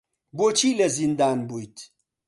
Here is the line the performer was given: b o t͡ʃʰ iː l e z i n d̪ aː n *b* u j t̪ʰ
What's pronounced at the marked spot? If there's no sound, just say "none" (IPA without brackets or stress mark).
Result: b